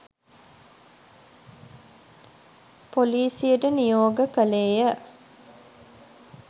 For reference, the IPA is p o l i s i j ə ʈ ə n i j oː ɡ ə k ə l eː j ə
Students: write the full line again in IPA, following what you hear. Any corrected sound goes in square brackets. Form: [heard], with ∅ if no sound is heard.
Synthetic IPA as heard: p o l [iː] s i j ə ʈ ə n i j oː ɡ ə k ə l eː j ə